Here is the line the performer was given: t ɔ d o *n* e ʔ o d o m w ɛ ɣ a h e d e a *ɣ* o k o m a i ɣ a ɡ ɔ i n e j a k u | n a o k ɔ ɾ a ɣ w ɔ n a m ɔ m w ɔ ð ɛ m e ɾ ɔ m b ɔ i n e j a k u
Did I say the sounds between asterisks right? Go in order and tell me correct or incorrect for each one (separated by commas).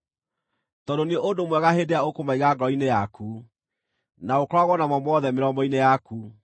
correct, incorrect